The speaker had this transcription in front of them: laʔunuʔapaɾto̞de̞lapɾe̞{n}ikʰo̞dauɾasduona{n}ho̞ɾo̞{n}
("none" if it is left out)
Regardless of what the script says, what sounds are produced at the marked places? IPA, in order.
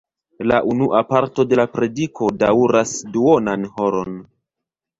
d, n, n

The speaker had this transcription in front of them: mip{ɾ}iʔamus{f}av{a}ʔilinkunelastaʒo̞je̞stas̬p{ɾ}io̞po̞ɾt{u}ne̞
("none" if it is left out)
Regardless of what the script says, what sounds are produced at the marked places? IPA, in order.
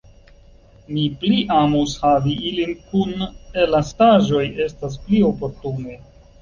l, h, i, l, u

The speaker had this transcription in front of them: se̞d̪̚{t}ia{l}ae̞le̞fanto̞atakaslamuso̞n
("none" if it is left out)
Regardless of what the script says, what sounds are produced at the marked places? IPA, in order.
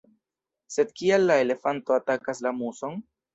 k, lː

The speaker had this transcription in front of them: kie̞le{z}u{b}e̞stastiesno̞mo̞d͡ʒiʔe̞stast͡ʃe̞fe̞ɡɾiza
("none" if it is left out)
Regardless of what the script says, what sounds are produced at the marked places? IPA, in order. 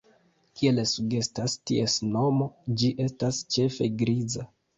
s, ɡ

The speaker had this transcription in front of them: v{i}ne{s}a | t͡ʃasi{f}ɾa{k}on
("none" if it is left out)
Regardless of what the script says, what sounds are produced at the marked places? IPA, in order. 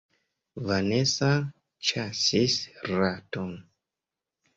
a, s, s, t

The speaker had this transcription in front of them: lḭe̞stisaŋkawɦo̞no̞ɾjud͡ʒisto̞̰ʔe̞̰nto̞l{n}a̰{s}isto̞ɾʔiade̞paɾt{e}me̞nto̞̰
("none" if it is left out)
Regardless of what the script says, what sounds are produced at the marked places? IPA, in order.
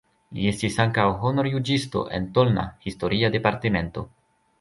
n, h, e

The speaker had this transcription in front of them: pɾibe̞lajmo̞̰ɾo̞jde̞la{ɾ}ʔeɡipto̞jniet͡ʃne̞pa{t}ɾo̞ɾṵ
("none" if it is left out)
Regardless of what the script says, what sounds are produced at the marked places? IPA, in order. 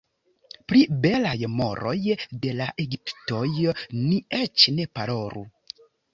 none, none

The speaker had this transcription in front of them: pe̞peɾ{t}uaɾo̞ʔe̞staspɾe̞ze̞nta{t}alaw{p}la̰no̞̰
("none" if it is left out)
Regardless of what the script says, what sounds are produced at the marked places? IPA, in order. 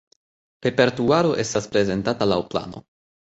t, t, p

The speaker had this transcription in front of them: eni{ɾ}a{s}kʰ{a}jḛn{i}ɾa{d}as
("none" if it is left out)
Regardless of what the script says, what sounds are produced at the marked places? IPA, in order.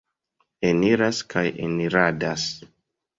ɾ, s, a, i, d

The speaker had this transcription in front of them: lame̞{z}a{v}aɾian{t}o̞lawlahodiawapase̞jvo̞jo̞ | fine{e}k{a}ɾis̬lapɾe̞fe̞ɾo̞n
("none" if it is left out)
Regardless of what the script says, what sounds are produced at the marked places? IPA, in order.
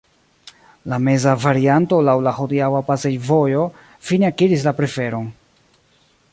z, v, t, a, i

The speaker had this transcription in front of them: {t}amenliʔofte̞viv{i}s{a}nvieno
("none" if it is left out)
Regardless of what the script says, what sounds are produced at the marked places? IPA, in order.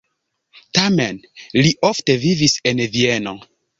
t, i, e

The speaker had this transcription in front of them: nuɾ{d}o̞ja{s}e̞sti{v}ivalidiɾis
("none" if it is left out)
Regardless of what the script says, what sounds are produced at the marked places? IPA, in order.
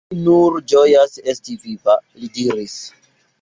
d͡ʒ, s, v

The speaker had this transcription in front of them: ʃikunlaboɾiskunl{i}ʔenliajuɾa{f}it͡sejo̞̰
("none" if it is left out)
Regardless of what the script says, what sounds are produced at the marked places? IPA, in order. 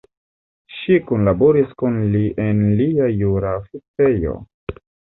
i, f

